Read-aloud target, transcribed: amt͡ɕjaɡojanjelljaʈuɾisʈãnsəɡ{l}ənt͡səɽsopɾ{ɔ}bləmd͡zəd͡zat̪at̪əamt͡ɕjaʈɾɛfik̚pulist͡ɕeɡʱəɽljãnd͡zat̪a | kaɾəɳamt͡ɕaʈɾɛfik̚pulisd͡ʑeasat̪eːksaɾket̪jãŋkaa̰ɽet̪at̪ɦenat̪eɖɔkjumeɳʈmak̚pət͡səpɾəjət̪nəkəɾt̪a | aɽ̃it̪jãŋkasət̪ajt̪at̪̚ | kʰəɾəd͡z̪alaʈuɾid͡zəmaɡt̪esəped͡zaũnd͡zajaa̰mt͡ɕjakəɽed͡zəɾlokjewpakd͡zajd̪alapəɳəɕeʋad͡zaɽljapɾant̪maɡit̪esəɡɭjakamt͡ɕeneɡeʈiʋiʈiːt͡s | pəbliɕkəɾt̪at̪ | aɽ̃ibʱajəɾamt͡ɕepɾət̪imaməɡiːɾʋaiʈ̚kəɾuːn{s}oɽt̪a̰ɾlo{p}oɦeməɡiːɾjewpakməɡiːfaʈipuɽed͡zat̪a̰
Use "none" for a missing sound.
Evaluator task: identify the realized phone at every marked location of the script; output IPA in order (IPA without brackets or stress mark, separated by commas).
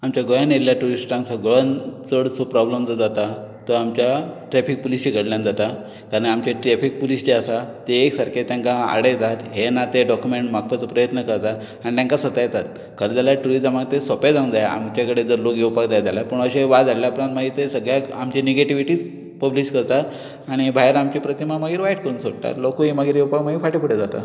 ɭ, ɔ, s, k